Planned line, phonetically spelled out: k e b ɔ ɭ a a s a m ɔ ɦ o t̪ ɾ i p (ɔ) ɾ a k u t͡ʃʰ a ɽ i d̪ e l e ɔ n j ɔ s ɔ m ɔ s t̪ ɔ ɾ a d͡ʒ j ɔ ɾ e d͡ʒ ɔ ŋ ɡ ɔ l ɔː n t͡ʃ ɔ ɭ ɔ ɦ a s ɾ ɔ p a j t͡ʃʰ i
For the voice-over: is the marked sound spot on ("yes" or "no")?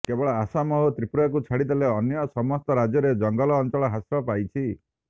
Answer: no